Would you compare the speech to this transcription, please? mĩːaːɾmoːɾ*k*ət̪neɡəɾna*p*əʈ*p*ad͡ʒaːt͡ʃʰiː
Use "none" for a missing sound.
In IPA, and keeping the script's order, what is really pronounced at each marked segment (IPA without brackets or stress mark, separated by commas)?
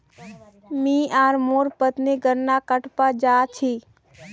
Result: p, k, p